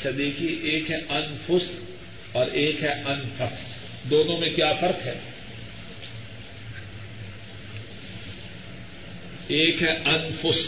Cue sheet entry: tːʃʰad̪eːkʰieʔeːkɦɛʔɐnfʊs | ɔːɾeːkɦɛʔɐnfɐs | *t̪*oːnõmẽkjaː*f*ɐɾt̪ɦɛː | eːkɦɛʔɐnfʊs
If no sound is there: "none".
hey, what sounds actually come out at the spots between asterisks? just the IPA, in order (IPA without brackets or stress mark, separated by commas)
d̪, f